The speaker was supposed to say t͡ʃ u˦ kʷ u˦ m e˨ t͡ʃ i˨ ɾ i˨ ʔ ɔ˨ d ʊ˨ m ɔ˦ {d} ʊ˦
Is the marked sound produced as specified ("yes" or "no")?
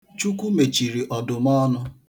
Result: no